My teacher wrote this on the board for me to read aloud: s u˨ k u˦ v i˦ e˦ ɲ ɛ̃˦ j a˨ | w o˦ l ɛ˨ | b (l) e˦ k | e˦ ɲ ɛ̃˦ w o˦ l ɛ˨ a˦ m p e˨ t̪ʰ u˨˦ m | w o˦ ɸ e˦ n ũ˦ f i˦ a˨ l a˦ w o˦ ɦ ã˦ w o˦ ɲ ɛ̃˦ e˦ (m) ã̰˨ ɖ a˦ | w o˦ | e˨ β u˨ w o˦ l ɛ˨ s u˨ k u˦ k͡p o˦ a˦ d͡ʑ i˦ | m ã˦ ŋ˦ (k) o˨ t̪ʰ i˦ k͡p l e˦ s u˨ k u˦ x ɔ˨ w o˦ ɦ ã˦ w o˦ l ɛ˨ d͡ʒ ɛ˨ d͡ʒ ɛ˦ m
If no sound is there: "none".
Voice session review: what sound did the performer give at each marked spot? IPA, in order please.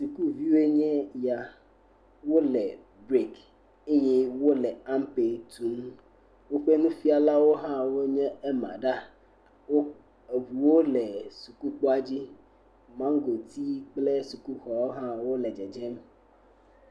ɾ, m, ɡ

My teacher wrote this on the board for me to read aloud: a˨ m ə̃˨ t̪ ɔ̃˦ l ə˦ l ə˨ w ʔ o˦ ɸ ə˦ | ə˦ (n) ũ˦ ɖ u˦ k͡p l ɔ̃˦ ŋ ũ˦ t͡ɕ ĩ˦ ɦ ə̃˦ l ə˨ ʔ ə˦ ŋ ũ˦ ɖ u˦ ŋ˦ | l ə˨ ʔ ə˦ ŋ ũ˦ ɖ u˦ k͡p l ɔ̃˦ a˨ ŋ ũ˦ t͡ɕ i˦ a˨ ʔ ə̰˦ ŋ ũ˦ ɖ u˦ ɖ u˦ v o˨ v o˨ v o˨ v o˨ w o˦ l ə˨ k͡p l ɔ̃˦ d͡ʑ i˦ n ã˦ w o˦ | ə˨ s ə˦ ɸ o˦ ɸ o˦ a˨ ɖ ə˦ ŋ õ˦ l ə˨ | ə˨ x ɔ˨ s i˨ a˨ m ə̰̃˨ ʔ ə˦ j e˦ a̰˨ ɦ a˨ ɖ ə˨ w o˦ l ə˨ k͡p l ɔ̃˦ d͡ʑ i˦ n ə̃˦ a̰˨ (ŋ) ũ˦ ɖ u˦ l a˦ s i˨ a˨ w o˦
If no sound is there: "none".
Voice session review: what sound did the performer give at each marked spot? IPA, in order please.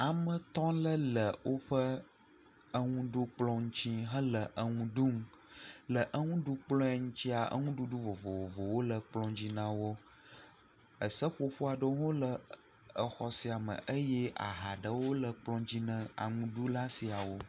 ŋ, ŋ

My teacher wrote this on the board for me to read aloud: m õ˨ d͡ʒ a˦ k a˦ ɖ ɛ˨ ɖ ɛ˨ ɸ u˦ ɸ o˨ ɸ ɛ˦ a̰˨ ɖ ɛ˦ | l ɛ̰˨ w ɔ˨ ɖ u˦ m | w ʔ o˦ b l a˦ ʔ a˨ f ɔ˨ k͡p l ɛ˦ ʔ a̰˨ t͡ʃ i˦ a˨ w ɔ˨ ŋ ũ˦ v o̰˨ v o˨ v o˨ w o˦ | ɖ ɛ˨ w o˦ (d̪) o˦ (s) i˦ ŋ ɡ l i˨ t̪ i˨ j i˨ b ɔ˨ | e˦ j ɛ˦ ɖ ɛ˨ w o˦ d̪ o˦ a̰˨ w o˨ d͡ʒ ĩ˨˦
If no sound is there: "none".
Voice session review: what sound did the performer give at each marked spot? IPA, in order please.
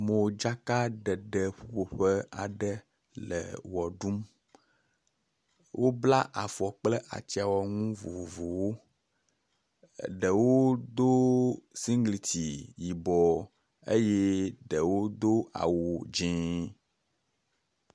d̪, s

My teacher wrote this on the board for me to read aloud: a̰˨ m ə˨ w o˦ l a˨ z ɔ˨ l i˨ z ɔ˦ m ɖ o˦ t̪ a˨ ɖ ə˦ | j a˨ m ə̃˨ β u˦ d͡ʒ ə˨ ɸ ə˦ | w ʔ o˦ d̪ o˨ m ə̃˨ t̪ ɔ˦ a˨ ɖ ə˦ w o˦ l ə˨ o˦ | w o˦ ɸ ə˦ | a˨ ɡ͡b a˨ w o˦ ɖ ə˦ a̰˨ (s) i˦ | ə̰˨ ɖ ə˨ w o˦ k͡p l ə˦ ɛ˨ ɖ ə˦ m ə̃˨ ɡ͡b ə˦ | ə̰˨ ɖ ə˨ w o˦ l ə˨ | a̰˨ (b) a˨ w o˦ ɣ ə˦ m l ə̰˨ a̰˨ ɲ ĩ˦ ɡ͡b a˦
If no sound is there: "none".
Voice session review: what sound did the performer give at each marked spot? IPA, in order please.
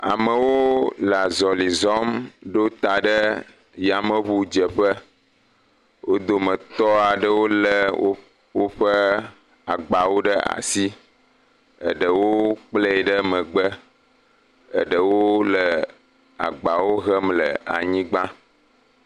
s, ɡ͡b

